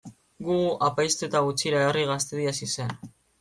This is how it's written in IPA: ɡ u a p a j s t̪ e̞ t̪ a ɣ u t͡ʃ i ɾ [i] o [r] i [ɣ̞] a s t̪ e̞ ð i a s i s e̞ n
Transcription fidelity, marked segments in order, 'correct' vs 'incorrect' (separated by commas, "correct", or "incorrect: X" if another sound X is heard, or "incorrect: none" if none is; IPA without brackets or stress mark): incorrect: a, correct, correct